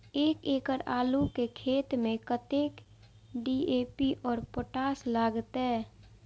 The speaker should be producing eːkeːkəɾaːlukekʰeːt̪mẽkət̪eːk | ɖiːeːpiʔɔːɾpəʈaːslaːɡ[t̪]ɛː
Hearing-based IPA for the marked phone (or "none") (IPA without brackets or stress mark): t̪